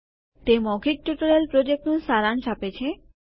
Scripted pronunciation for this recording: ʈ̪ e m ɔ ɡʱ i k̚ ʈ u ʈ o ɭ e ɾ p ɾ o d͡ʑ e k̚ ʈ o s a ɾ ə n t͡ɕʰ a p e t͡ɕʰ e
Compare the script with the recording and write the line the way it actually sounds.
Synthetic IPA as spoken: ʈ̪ e m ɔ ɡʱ i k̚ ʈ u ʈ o ɾ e l p ɾ o d͡ʑ e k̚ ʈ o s a ɾ a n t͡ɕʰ a p e t͡ɕʰ e